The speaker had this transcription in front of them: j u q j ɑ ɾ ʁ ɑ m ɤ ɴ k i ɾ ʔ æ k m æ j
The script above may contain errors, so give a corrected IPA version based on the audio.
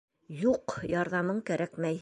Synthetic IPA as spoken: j u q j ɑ ɾ ð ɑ m ɤ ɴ k æ ɾ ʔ æ k m æ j